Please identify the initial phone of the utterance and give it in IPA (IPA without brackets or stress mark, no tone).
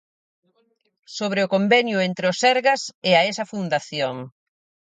s